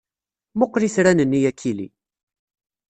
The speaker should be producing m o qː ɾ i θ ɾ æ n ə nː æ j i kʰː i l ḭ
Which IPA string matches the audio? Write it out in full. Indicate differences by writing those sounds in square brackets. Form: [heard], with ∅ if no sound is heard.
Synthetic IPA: m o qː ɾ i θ ɾ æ n ə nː [i] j [æ] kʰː i l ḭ

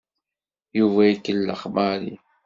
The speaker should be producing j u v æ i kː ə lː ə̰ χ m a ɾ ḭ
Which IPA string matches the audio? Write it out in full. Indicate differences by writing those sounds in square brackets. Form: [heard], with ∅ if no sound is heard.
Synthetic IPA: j u v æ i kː ə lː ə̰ χ m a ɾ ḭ

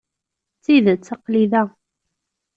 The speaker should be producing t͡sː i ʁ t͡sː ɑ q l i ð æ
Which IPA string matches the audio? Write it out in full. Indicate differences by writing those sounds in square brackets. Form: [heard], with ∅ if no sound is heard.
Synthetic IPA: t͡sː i [ð] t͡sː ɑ q l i ð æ

